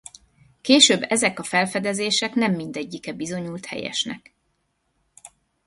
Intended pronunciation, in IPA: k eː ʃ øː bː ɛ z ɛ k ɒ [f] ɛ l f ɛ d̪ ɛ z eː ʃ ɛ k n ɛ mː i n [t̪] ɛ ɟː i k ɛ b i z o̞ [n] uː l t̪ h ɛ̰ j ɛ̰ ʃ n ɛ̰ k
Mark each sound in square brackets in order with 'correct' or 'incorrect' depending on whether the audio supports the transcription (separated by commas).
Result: correct, incorrect, incorrect